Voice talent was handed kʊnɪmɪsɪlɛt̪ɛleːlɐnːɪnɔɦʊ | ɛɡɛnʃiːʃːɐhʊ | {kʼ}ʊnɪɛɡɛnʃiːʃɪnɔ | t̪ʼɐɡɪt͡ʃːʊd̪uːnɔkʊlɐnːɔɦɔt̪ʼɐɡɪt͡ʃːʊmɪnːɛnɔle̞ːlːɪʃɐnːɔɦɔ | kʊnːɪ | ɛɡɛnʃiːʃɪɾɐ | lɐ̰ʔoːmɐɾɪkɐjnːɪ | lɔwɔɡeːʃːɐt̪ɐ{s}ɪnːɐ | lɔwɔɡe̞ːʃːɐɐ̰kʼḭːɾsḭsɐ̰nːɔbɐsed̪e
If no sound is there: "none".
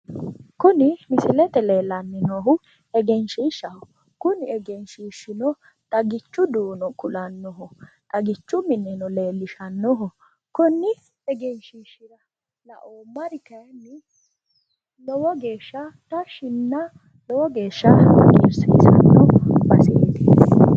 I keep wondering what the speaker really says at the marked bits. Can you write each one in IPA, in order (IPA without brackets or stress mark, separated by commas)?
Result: k, ʃ